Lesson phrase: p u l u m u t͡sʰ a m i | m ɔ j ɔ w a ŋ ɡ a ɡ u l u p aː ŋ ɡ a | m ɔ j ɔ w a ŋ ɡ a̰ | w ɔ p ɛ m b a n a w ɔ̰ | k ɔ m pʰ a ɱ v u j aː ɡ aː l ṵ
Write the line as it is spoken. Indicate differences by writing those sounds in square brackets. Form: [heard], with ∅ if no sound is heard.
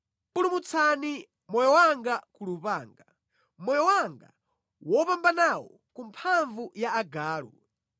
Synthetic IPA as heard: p u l u m u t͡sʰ a [n] i | m ɔ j ɔ w a ŋ ɡ a [k] u l u p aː ŋ ɡ a | m ɔ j ɔ w a ŋ ɡ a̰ | w ɔ p [a] m b a n a w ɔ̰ | k [u] m pʰ a ɱ v u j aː ɡ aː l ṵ